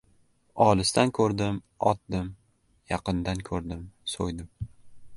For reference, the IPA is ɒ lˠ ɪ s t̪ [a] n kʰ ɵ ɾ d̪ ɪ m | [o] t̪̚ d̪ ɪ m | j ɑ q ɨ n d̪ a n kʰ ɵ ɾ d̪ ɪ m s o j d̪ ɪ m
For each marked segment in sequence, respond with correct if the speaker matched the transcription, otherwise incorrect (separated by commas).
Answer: correct, incorrect